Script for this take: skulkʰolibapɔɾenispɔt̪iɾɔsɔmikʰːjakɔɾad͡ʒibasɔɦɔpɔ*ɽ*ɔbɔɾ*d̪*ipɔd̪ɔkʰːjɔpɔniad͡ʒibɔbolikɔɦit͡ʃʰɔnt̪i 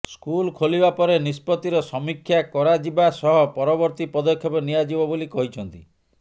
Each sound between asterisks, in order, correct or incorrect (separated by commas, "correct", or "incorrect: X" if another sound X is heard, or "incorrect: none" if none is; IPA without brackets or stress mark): incorrect: ɾ, incorrect: t̪